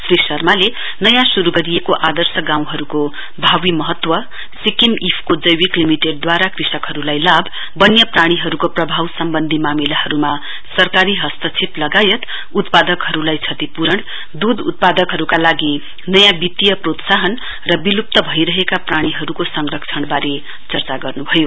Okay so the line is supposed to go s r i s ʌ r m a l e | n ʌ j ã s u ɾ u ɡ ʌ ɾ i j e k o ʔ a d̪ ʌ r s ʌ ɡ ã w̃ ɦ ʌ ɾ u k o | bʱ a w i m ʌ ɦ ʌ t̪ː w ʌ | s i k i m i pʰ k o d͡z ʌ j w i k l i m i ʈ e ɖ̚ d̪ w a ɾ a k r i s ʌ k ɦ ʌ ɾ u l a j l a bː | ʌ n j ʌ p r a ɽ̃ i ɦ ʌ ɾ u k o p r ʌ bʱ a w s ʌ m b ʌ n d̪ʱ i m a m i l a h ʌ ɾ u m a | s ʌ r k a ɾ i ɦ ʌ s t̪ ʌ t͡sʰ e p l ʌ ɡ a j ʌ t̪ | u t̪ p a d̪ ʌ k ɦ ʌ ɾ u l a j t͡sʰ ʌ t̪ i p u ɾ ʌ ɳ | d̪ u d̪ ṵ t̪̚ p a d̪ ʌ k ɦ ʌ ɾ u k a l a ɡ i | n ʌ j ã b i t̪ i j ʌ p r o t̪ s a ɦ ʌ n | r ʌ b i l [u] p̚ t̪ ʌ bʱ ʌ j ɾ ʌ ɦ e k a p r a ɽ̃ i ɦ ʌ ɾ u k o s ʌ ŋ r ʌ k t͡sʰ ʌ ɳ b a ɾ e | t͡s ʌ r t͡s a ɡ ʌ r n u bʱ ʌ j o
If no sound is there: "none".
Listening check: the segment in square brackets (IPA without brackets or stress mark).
u